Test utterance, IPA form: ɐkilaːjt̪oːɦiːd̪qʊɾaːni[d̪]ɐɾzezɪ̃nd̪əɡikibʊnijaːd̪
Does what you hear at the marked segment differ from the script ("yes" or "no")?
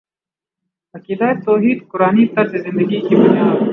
yes